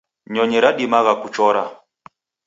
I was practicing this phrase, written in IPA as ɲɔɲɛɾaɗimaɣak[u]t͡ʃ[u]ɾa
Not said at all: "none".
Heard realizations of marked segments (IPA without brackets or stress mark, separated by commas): u, ɔ